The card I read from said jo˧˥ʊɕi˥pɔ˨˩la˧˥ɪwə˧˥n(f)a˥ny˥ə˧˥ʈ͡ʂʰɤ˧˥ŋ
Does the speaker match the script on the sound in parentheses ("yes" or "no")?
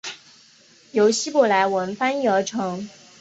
yes